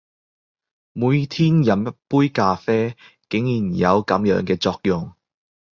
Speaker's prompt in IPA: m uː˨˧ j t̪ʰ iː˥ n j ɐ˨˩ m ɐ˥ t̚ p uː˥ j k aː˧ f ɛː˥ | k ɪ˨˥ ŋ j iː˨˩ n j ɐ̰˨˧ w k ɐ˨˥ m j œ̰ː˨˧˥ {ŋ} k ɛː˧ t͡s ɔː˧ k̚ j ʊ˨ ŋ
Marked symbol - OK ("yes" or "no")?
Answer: yes